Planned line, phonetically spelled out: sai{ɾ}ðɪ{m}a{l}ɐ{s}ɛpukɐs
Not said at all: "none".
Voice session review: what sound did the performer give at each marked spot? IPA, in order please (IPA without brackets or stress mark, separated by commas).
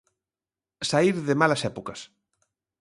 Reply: ɾ, m, l, s